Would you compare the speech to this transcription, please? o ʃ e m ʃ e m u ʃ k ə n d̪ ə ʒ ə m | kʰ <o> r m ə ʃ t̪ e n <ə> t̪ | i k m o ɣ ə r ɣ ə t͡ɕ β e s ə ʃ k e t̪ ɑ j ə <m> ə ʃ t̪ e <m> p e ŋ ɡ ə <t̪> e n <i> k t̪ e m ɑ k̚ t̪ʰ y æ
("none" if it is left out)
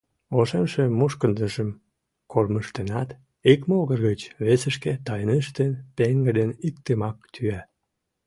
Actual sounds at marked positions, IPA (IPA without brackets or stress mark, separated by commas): o, ɑ, n, n, d̪, i